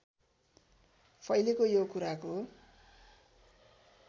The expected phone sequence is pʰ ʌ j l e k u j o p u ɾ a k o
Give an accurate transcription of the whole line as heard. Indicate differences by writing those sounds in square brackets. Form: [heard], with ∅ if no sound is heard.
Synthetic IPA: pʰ ʌ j l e k [o] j o [k] u ɾ a k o